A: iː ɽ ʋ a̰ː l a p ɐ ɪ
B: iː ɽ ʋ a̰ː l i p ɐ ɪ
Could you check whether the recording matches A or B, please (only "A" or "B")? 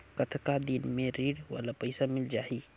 A